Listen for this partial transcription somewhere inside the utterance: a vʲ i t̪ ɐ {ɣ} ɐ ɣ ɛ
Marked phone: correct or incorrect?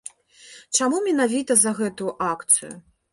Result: incorrect